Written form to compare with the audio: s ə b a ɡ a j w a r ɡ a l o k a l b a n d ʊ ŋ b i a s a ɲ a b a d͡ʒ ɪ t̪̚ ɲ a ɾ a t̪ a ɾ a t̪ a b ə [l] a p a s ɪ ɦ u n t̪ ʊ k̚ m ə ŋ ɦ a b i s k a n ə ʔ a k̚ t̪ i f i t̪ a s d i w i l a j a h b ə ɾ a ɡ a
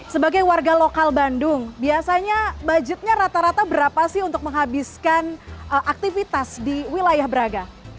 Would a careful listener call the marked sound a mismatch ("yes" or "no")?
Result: yes